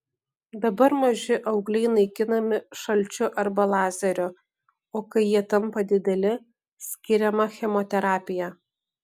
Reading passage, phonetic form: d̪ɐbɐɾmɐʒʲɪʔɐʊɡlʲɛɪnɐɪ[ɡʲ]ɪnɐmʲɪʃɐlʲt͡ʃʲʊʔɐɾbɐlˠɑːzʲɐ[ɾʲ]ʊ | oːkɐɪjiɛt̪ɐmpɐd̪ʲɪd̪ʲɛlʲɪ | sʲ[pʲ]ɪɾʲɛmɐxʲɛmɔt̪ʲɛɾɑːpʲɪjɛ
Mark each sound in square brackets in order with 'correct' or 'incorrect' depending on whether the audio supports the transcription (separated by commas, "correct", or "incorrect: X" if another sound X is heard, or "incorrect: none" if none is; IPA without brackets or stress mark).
incorrect: kʲ, correct, incorrect: kʲ